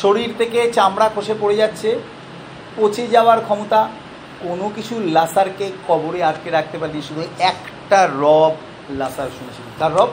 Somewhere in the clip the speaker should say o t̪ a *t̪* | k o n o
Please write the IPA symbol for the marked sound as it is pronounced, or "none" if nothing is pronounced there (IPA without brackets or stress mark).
none